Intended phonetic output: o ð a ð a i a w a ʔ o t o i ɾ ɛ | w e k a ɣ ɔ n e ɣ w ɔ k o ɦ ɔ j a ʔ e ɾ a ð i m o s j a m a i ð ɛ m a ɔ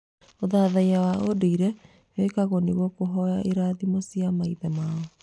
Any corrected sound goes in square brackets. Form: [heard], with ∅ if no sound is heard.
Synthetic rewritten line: o ð a ð a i a w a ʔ o [d] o i ɾ ɛ | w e k a ɣ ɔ n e ɣ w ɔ k o ɦ ɔ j a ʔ e ɾ a ð i m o s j a m a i ð ɛ m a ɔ